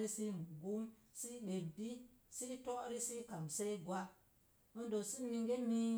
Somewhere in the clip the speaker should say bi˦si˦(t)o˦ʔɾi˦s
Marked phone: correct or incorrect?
correct